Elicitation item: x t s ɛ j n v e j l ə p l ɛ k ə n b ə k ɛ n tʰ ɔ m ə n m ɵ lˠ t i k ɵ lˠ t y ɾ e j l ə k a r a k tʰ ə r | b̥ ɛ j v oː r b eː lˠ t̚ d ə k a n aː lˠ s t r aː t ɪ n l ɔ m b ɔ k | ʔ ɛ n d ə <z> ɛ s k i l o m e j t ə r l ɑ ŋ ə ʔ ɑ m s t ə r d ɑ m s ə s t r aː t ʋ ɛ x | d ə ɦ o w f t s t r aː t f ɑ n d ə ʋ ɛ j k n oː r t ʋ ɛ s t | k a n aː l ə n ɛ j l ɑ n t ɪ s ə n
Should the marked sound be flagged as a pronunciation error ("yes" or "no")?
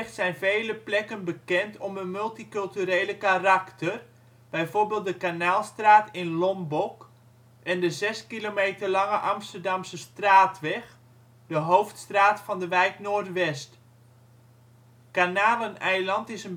no